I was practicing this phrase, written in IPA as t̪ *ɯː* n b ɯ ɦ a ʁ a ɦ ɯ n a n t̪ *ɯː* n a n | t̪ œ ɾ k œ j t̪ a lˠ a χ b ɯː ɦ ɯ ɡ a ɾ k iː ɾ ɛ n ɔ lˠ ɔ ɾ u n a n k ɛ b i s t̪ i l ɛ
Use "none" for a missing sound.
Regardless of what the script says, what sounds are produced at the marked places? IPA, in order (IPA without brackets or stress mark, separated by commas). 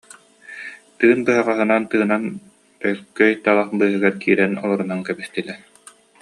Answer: ɯː, ɯː